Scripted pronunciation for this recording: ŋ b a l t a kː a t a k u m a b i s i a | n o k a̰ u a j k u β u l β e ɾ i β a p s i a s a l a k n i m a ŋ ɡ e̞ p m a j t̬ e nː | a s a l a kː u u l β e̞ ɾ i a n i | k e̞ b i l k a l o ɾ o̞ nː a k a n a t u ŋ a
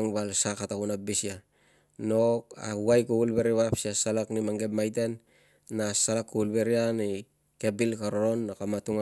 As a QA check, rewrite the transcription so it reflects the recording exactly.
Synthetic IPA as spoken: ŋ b a l s a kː a t a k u n a b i s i a | n o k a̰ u a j k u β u l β e ɾ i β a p s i a s a l a k n i m a ŋ ɡ e̞ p m a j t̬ e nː | a s a l a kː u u l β e̞ ɾ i a n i | k e̞ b i l k a ɾ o ɾ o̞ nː a k a m a t u ŋ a